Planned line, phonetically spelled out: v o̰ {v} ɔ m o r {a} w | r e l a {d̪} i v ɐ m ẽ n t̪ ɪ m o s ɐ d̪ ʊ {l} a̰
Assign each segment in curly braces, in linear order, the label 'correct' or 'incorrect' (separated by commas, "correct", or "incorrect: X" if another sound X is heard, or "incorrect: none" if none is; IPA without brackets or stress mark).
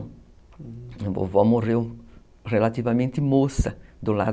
correct, incorrect: e, incorrect: t̪, correct